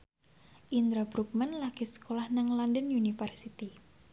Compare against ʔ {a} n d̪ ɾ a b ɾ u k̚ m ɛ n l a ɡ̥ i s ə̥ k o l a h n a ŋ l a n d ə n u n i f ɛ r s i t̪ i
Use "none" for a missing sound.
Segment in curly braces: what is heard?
i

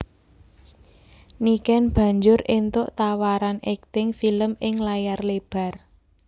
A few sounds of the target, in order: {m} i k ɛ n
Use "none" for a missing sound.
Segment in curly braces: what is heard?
n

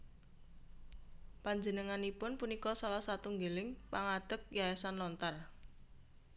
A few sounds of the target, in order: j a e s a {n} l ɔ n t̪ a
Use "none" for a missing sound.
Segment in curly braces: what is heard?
n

